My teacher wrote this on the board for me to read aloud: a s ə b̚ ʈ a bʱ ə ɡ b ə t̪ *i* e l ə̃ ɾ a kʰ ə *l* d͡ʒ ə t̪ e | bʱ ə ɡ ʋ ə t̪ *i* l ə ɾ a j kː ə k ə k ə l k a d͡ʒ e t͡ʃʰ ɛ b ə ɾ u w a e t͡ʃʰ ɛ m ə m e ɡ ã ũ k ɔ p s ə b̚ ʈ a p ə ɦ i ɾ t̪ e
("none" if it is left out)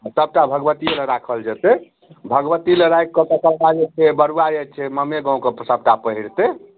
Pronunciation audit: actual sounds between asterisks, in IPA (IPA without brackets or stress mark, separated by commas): i, l, i